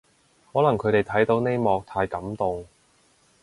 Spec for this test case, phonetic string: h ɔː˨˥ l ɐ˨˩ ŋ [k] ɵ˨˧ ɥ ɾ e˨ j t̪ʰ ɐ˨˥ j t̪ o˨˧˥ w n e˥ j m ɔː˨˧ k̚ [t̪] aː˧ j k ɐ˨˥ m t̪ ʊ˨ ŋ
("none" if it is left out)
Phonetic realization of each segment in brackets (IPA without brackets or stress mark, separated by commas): kʰ, t̪ʰ